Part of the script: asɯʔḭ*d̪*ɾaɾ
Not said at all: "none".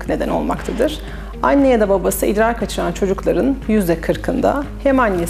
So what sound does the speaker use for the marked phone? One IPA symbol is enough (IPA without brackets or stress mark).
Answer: d̪